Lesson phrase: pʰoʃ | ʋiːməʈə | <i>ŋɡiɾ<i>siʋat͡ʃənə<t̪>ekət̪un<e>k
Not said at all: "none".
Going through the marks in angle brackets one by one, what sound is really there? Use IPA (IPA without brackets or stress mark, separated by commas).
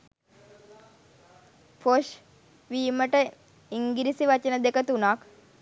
i, i, d̪, a